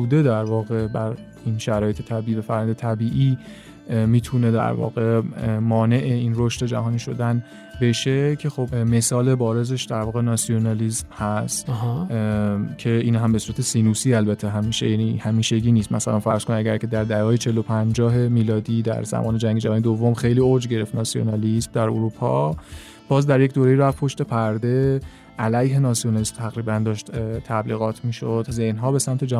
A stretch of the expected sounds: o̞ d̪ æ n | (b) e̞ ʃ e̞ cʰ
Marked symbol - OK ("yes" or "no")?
yes